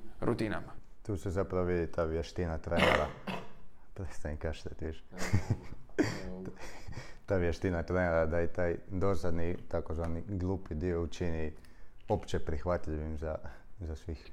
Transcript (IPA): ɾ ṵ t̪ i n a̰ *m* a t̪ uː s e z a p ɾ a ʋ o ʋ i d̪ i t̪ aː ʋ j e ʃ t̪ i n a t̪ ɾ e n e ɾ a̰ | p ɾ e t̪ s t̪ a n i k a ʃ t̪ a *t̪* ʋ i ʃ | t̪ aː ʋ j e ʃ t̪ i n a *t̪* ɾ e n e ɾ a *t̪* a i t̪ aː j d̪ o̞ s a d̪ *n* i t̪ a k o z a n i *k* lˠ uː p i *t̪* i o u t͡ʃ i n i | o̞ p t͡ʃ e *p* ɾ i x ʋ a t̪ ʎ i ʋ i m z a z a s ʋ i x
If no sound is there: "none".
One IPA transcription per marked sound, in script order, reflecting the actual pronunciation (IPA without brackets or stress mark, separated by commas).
m, t̪, t̪, d̪, n, ɡ, d̪, p